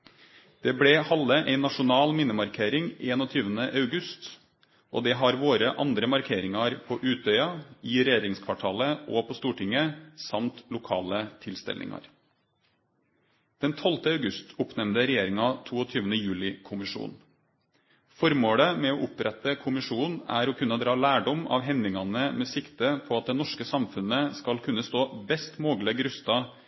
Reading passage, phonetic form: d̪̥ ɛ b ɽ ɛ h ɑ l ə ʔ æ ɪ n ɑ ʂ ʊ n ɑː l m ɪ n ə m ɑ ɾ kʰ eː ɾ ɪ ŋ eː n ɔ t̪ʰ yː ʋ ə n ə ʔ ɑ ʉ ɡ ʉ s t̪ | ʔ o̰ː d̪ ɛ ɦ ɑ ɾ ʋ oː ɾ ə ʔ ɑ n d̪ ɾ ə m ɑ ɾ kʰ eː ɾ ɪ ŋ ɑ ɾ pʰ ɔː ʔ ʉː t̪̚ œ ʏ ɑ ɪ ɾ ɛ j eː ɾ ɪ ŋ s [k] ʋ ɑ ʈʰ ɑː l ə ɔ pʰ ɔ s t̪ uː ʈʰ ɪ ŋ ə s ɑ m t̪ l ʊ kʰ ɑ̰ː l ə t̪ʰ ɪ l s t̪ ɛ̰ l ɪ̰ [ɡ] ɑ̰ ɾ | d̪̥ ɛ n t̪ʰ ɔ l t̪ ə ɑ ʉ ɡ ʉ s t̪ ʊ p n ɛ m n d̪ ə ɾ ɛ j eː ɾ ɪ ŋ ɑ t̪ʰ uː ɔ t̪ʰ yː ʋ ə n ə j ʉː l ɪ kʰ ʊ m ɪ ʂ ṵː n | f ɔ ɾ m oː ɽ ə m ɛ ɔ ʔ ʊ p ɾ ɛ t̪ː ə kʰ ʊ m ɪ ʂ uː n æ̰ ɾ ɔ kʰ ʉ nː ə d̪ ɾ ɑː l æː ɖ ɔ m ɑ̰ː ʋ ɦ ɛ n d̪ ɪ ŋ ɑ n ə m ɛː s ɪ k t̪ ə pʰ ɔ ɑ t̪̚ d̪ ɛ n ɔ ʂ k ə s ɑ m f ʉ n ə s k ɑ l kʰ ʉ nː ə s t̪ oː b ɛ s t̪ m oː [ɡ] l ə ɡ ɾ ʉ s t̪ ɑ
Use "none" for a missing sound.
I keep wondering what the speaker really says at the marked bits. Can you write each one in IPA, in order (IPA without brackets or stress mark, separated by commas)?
kʰ, ŋ, ɡ